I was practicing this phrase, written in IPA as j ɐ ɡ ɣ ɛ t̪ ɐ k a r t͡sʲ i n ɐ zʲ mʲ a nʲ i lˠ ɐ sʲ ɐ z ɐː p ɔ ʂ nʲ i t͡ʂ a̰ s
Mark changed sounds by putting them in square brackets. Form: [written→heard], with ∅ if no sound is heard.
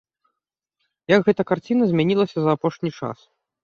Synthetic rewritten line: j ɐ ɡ ɣ ɛ t̪ ɐ k a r t͡sʲ i n ɐ zʲ mʲ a nʲ i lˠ ɐ sʲ ɐ z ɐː p ɔ ʂ nʲ i t͡ʂ a̰ s